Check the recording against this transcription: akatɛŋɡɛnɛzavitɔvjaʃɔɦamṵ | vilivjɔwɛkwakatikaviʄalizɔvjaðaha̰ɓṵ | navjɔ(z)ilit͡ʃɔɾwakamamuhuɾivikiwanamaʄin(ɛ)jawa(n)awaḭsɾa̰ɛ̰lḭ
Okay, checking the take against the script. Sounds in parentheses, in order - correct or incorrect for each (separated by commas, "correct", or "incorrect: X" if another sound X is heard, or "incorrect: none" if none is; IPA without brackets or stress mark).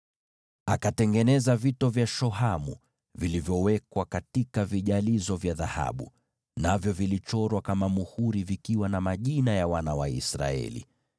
incorrect: v, incorrect: a, correct